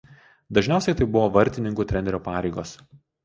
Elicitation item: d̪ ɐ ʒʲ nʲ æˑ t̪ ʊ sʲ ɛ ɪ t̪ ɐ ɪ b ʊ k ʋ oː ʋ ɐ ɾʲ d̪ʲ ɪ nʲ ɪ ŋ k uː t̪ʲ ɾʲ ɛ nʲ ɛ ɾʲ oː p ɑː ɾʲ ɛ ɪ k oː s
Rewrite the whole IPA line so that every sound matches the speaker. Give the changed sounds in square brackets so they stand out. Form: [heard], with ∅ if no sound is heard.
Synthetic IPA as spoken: d̪ ɐ ʒʲ nʲ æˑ [∅] ʊ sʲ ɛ ɪ t̪ ɐ ɪ b ʊ [∅] ʋ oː ʋ ɐ ɾʲ [t̪ʲ] ɪ nʲ ɪ ŋ k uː t̪ʲ ɾʲ ɛ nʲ ɛ ɾʲ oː p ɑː ɾʲ ɛ ɪ [ɡ] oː s